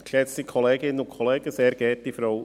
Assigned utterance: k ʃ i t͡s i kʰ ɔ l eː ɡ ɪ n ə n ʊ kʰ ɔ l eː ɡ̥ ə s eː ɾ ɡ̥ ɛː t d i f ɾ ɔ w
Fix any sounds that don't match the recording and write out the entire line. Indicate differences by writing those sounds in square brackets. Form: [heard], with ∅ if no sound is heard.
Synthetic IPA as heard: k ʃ [ɛ] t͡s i kʰ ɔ l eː ɡ ɪ n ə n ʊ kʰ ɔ l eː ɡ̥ ə s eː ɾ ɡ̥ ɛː t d i f ɾ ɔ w